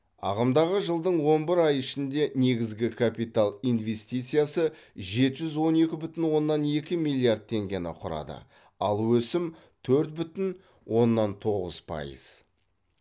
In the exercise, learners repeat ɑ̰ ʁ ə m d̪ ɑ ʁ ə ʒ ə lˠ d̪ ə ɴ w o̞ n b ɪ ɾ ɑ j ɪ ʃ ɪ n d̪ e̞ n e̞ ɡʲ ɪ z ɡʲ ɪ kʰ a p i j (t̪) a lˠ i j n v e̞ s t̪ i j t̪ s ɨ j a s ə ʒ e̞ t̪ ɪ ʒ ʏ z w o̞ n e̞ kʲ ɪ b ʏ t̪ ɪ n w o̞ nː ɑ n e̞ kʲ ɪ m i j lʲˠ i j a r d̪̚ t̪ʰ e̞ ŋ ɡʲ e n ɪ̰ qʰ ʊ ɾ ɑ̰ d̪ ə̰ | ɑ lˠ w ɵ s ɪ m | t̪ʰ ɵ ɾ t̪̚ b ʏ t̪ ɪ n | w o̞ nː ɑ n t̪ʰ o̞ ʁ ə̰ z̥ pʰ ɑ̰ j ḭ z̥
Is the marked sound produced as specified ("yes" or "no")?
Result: yes